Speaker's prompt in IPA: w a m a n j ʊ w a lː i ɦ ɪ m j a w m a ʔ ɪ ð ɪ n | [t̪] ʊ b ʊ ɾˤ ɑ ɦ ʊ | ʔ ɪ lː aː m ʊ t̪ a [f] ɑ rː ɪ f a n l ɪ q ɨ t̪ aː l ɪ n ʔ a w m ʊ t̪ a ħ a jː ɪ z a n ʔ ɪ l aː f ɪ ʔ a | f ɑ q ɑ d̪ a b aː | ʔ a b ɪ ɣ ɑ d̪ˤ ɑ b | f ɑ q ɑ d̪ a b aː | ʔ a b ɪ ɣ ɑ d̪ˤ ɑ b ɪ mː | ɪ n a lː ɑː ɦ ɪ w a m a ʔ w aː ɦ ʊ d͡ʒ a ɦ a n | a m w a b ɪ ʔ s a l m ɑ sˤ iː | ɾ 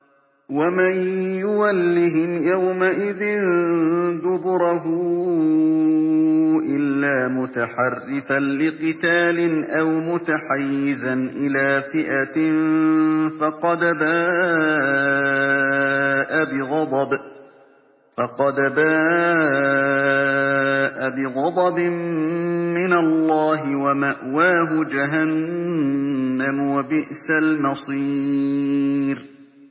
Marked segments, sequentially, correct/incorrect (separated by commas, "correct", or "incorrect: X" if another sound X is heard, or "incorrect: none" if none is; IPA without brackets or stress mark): incorrect: d̪, incorrect: ħ